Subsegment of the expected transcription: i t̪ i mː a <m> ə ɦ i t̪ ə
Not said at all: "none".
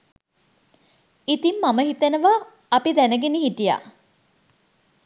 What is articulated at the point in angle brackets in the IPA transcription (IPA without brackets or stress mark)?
m